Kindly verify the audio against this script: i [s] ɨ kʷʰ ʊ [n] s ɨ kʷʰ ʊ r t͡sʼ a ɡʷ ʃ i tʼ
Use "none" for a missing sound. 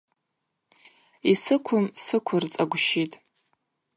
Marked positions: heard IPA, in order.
s, m

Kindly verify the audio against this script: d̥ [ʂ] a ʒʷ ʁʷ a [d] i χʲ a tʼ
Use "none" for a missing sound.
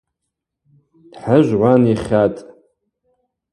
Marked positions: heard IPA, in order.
ħ, n

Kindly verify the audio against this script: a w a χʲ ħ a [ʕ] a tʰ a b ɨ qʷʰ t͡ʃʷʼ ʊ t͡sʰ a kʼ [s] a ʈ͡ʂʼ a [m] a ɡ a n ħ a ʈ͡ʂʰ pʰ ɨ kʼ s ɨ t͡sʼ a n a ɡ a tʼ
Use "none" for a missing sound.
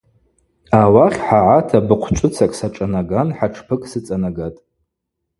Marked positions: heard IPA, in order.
ʕ, s, n

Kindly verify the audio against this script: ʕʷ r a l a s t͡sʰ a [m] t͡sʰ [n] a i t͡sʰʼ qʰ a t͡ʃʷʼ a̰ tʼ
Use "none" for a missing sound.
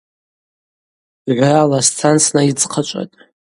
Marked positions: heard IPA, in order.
n, n

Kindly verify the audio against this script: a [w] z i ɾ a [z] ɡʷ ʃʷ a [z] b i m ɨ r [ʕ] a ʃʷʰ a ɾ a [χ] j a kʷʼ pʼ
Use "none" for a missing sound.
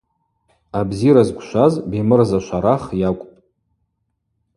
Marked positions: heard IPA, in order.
b, z, z, z, χ

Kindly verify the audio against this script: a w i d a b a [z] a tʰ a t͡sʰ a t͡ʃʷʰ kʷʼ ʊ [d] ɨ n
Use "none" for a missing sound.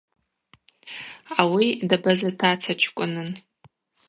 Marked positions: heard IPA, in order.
z, n

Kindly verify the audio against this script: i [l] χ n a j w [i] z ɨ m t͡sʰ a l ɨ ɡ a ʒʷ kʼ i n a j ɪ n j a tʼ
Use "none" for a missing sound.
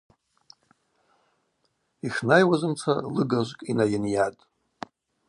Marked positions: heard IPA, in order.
none, a

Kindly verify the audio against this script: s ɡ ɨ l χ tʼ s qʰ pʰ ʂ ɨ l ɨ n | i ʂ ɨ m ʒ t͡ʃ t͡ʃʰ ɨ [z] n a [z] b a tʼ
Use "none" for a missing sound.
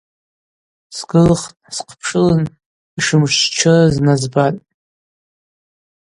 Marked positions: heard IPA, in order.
z, z

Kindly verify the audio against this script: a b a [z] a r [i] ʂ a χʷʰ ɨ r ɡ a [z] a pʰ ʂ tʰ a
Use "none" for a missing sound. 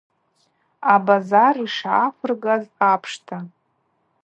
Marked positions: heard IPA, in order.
z, i, z

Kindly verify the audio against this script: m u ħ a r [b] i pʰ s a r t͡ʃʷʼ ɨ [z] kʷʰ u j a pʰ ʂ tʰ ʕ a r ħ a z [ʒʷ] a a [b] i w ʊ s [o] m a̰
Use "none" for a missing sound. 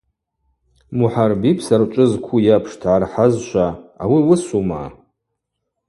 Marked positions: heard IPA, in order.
b, z, ʃʷ, w, u

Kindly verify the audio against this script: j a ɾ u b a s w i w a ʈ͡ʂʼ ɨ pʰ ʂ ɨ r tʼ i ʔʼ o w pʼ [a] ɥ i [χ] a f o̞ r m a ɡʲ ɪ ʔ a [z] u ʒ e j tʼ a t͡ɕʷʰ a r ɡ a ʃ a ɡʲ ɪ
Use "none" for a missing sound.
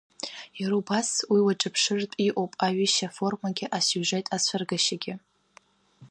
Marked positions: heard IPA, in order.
a, ʃ, s

